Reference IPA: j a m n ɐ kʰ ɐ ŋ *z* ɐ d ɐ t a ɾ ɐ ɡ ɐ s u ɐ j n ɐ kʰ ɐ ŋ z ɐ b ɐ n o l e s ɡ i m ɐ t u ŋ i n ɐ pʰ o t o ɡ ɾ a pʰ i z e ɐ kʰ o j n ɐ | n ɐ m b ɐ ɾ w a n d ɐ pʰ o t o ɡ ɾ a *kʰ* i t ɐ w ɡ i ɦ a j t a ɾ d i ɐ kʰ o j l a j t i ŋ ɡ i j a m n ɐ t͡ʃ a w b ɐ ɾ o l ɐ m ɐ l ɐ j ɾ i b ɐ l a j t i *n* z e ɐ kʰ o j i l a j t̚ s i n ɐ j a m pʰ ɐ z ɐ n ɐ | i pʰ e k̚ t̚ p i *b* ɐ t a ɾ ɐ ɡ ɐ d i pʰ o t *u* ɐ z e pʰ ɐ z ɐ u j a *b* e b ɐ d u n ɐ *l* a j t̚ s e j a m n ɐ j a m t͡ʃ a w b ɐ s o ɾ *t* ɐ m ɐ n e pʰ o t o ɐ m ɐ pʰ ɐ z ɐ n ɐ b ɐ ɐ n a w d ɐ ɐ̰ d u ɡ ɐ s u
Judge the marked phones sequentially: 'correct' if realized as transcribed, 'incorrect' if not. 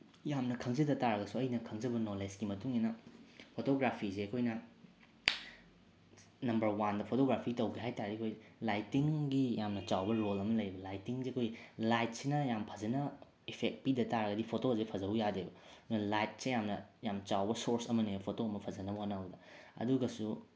correct, incorrect: pʰ, incorrect: ŋ, incorrect: d, incorrect: o, incorrect: d, correct, incorrect: s

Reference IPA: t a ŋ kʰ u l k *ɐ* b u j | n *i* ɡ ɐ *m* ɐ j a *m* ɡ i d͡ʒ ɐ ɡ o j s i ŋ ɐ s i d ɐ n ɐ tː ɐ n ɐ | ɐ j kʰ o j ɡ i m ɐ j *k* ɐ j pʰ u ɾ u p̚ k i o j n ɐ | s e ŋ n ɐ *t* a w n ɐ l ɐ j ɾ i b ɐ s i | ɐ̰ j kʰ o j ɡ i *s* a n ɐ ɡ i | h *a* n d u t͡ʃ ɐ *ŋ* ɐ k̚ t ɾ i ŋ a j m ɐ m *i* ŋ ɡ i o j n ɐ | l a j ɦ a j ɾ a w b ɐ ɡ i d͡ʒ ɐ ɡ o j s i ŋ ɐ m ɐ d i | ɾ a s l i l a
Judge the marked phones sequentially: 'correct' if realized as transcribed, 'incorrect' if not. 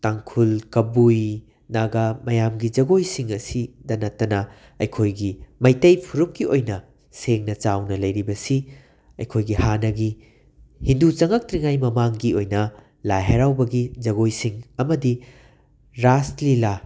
correct, incorrect: a, correct, correct, incorrect: t, incorrect: t͡ʃ, incorrect: h, incorrect: i, correct, incorrect: a

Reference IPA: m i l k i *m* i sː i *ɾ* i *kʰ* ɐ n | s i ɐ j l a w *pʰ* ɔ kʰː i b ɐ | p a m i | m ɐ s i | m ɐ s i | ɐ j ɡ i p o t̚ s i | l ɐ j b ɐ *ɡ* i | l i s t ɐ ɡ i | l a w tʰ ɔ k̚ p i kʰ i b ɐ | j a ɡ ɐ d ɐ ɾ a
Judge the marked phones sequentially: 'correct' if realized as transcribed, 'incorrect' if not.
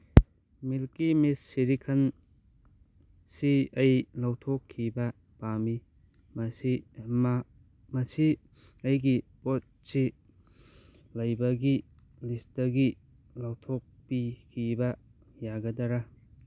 correct, correct, correct, incorrect: tʰ, correct

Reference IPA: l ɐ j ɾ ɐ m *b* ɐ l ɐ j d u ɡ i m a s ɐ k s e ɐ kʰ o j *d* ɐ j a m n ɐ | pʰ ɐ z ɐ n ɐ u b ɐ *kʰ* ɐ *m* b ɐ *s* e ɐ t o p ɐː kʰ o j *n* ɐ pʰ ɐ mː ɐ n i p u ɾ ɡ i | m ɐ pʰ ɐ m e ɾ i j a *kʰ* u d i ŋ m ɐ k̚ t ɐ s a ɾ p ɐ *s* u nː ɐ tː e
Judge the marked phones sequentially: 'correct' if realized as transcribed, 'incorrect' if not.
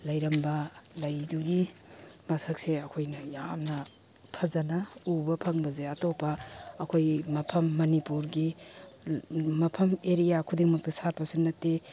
correct, incorrect: n, incorrect: pʰ, incorrect: ŋ, incorrect: z, incorrect: m, correct, correct

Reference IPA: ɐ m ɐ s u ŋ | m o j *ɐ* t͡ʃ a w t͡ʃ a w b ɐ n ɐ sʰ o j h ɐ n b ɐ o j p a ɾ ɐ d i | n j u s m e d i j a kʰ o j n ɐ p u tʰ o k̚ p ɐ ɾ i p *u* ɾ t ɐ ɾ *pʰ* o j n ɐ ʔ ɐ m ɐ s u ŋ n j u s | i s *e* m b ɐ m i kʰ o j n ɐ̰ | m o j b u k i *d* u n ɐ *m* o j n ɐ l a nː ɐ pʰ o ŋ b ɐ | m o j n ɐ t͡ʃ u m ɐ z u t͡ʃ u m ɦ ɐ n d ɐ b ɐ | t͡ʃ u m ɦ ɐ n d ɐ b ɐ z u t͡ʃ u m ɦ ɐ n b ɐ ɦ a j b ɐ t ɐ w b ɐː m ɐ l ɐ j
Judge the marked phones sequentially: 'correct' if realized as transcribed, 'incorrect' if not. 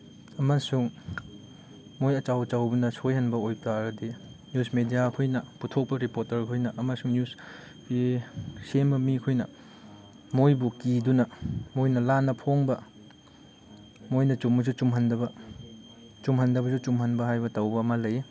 correct, incorrect: o, incorrect: kʰ, correct, correct, correct

